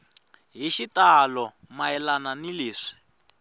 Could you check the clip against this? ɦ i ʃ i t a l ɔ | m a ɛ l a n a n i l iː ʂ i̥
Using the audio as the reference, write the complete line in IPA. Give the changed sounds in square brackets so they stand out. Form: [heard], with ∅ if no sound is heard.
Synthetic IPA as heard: ɦ i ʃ i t a l ɔ | m a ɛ l a n a n i l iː ʂ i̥